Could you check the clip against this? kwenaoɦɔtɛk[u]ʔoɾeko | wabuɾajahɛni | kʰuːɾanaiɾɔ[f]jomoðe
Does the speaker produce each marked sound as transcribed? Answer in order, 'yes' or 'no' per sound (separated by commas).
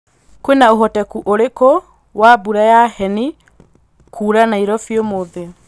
yes, yes